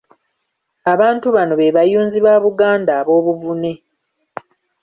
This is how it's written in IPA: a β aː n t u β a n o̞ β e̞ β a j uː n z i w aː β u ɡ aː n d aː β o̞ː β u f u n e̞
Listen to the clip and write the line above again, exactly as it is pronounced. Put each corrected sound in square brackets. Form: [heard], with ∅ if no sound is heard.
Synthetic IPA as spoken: a β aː n t u β a n o̞ β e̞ β a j uː n z i [β] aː β u ɡ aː n d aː β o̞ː β u [v] u n e̞